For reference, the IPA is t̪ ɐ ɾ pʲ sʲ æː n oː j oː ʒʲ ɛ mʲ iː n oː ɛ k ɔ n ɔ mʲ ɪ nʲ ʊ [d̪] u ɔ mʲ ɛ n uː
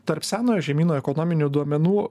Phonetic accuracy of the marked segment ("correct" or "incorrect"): correct